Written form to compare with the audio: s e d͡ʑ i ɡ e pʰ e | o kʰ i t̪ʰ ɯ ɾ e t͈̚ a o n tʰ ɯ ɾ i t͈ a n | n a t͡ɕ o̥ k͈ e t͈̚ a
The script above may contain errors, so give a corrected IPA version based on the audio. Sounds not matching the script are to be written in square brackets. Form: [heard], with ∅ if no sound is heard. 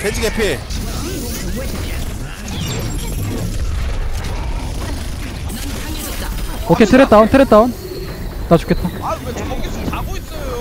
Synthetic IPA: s e d͡ʑ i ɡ e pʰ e | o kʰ [e] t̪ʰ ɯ ɾ e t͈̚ a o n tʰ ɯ ɾ [e] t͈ a n | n a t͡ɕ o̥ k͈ e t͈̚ a